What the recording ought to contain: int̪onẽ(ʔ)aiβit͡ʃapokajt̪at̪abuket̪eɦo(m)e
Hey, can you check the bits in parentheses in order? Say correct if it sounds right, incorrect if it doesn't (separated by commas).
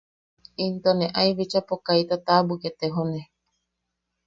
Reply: correct, incorrect